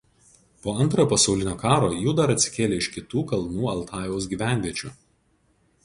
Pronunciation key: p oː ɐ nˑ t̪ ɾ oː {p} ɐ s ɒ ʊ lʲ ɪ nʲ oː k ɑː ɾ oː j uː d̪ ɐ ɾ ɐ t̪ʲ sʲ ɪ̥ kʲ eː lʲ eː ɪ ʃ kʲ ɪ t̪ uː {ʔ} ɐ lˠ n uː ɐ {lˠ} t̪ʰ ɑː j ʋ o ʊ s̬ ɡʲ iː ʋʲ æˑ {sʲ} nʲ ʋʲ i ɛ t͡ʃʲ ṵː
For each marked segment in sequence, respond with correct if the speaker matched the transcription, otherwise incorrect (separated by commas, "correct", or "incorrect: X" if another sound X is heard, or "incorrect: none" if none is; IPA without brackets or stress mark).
correct, incorrect: k, correct, incorrect: none